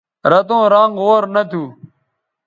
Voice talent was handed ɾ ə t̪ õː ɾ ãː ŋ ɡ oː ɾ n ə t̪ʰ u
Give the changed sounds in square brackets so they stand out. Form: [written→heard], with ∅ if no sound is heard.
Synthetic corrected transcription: ɾ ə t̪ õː ɾ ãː ŋ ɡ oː ɾ n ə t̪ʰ [u→uː]